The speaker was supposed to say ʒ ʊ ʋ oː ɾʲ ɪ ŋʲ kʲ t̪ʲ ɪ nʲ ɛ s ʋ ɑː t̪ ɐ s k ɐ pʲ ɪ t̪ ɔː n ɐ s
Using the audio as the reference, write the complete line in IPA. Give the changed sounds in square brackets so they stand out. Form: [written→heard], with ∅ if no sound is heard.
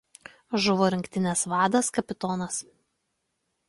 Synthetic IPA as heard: ʒ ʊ ʋ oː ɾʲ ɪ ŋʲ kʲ t̪ʲ ɪ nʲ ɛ s ʋ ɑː [t̪→d̪] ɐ s k ɐ pʲ ɪ t̪ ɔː n ɐ s